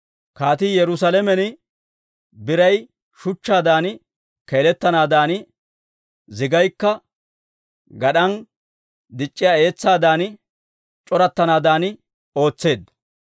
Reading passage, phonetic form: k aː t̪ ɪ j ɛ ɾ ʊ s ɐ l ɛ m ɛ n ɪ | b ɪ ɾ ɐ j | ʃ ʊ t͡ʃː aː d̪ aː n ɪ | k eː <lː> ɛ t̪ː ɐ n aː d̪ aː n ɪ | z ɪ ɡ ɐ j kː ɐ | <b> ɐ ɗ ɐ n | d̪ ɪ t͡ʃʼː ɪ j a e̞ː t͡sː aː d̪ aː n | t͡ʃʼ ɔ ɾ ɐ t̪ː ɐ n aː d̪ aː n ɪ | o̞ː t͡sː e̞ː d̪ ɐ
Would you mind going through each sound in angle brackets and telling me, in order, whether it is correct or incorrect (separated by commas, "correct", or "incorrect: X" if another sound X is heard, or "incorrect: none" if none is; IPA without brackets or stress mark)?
incorrect: l, incorrect: ɡ